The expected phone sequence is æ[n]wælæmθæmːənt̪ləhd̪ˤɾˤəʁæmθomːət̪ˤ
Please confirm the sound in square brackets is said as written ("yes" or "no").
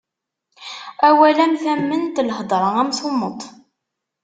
no